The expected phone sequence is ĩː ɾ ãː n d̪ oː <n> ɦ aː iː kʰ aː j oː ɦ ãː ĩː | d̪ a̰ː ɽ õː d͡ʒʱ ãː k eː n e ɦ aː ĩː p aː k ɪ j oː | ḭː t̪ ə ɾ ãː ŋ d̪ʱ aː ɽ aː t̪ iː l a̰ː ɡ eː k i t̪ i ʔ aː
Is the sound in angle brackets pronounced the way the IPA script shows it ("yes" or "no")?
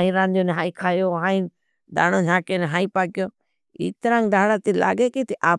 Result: yes